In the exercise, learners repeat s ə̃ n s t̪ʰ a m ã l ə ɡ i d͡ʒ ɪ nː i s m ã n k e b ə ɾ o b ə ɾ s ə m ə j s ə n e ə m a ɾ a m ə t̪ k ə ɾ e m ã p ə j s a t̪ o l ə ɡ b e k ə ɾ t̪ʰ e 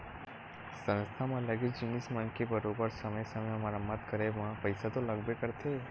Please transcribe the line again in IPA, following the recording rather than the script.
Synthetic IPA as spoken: s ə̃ n s t̪ʰ a m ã l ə ɡ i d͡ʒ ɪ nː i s m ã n k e b ə ɾ o b ə ɾ s ə m ə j s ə m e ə m a ɾ a m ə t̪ k ə ɾ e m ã p ə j s a t̪ o l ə ɡ b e k ə ɾ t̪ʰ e